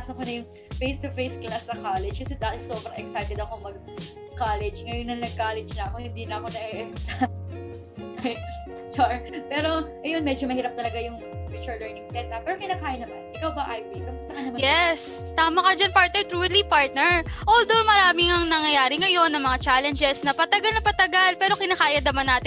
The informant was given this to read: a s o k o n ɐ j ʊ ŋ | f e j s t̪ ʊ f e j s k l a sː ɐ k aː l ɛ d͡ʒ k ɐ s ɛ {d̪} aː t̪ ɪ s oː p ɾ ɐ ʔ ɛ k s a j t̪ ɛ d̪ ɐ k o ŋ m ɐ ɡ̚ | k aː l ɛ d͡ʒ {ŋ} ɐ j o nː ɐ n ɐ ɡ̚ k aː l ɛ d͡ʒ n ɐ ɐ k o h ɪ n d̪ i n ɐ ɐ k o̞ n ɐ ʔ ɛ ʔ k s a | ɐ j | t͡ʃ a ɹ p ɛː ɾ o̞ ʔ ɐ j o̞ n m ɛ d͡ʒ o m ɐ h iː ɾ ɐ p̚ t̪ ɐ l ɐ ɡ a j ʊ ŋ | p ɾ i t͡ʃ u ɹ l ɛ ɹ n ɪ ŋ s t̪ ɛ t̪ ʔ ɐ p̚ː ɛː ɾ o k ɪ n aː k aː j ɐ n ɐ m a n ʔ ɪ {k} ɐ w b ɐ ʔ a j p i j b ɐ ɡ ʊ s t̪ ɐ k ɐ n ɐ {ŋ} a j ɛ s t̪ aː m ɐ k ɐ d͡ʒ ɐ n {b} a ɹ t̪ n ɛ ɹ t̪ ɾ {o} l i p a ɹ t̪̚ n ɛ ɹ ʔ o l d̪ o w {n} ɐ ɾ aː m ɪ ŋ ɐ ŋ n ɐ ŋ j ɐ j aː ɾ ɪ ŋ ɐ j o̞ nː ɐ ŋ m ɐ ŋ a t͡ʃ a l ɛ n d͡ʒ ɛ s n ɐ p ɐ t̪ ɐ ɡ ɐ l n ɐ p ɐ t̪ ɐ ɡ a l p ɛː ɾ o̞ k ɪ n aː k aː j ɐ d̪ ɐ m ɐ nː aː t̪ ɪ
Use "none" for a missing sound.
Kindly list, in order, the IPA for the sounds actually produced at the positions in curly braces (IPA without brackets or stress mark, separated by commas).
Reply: d̪, ŋ, k, m, p, u, m